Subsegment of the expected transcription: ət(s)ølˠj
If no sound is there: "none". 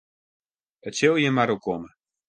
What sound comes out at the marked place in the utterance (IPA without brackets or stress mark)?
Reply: s